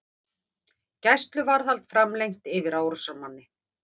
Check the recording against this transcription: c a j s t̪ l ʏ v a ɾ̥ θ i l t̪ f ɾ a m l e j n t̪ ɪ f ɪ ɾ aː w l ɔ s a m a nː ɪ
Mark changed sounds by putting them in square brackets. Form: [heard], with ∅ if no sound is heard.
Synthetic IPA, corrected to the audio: c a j s t̪ l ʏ v a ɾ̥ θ [a] l t̪ f ɾ a m l e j [ŋ] t̪ ɪ [v] ɪ ɾ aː w [ɾ] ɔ s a m a nː ɪ